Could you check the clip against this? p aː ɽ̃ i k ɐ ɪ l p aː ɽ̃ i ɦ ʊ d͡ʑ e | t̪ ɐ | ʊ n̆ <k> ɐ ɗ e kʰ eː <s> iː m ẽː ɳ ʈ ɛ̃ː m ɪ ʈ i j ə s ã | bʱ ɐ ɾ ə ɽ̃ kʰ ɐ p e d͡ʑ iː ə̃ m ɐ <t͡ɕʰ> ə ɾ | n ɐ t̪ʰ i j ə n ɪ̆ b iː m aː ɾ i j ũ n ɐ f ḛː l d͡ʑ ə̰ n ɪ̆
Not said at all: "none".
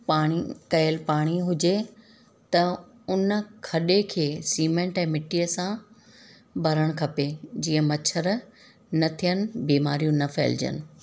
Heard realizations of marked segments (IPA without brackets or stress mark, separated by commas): kʰ, s, t͡ɕʰ